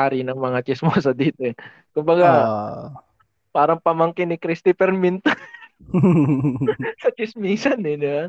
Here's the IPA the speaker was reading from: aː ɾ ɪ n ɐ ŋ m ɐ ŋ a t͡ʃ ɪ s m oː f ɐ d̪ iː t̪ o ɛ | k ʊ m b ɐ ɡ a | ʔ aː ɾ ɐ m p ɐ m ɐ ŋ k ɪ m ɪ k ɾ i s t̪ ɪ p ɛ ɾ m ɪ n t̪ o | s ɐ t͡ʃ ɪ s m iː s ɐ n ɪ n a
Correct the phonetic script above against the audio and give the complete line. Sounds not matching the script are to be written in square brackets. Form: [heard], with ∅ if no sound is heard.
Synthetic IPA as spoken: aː ɾ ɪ n ɐ ŋ m ɐ ŋ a t͡ʃ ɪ s m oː [s] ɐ d̪ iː t̪ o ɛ | k ʊ m b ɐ ɡ a | [p] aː ɾ ɐ [ŋ] p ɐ m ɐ ŋ k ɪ [n] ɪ k ɾ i s t̪ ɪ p ɛ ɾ m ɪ n t̪ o | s ɐ t͡ʃ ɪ s m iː s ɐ n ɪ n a